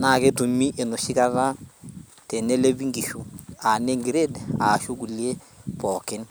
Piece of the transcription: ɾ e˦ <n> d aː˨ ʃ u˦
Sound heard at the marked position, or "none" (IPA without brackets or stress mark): none